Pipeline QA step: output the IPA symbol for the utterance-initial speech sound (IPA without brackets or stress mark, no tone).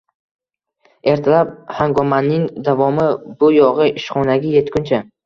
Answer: e̞